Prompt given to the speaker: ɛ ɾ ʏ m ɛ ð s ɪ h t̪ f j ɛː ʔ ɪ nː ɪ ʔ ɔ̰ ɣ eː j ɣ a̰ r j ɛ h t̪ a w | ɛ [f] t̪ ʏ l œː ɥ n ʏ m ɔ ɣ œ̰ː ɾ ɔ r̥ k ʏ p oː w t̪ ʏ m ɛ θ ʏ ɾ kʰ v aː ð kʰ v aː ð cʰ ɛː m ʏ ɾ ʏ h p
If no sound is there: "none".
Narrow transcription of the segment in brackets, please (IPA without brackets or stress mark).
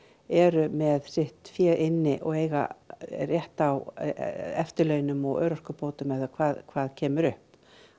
f